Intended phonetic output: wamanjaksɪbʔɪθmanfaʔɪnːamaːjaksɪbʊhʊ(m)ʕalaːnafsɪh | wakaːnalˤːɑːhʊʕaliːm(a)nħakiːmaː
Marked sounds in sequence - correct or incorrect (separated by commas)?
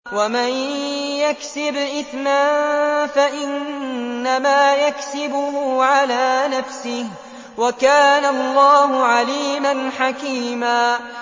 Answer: incorrect, correct